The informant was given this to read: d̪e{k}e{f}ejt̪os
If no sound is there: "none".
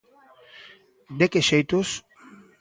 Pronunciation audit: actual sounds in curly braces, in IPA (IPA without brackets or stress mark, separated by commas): k, ʃ